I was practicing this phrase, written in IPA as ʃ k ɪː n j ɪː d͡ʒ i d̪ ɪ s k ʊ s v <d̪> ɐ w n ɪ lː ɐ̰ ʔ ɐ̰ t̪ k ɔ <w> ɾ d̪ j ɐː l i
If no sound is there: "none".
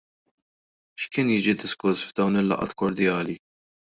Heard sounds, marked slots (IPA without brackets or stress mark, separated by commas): d̪, none